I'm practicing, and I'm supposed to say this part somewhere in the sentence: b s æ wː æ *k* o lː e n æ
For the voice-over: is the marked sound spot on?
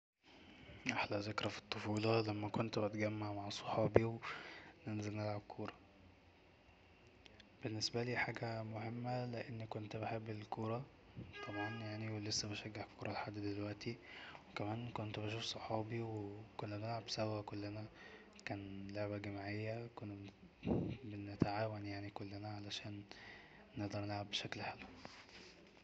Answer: yes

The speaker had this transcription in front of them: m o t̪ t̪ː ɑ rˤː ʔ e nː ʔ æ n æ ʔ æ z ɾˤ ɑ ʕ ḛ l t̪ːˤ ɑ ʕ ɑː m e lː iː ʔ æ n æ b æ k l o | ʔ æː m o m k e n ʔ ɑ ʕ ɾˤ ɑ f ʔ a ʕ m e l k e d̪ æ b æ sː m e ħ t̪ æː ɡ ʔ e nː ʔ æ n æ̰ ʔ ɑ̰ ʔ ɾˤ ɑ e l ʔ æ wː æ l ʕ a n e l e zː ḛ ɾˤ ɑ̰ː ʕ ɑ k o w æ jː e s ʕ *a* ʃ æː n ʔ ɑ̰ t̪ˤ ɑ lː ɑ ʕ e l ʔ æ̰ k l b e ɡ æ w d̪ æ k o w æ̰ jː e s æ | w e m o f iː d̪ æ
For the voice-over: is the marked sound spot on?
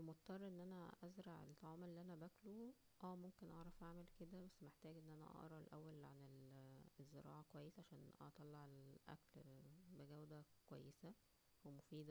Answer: yes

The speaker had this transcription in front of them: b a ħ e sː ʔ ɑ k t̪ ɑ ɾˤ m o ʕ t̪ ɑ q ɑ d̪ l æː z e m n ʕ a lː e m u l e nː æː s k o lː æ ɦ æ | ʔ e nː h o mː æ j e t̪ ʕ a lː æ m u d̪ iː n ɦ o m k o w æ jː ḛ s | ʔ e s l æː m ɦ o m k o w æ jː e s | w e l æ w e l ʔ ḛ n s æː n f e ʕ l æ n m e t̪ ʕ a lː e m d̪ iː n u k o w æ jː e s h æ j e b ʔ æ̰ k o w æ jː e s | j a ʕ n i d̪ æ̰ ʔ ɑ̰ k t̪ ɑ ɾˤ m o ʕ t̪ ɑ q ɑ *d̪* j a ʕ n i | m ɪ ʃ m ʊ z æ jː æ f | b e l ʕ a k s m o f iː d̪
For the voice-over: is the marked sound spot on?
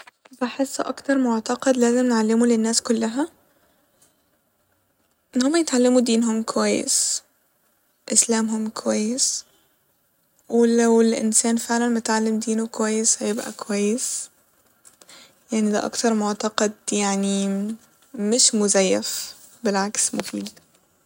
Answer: yes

